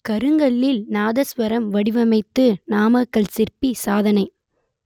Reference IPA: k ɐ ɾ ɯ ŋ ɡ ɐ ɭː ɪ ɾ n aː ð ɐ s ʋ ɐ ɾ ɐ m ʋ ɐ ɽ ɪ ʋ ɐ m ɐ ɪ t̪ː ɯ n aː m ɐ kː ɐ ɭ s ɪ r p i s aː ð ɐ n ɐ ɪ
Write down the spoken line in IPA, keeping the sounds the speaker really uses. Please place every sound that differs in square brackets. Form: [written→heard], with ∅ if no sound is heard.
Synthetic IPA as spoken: k ɐ ɾ ɯ ŋ ɡ ɐ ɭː ɪ [ɾ→l] n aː ð ɐ s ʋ ɐ ɾ ɐ m ʋ ɐ ɽ ɪ ʋ ɐ m ɐ ɪ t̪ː ɯ n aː m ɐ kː ɐ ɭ s ɪ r p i s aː ð ɐ n ɐ ɪ